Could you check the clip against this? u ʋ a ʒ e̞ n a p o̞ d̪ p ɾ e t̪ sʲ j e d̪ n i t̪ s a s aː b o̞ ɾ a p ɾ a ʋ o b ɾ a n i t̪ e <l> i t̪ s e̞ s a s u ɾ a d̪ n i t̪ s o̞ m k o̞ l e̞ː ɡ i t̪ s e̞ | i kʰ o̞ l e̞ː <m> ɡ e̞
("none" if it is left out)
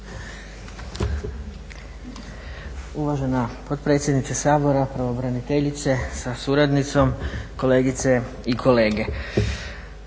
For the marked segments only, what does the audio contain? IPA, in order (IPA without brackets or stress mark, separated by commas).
ʎ, none